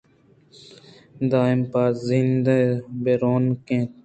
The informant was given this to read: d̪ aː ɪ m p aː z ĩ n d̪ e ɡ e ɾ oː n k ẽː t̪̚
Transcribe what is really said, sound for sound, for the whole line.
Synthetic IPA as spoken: d̪ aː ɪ m p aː z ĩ n d̪ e b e ɾ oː n k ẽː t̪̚